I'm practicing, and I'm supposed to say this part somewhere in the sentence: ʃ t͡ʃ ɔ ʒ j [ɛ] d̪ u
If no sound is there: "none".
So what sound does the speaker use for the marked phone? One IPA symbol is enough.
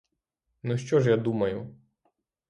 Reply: a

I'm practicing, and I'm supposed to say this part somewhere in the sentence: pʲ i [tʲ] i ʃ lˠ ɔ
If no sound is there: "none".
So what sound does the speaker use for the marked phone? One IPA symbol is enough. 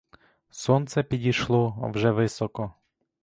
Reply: dʲ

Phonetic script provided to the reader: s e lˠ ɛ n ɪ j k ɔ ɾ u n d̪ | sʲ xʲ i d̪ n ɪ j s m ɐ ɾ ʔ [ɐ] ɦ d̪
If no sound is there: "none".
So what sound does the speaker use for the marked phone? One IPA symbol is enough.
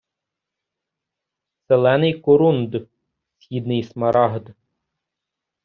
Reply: ɑ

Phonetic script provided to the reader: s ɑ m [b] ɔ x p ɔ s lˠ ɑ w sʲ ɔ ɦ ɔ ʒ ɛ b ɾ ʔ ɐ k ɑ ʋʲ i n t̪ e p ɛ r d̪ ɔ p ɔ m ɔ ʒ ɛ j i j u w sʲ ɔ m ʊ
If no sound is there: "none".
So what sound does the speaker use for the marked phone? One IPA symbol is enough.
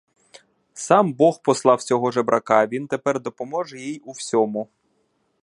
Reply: b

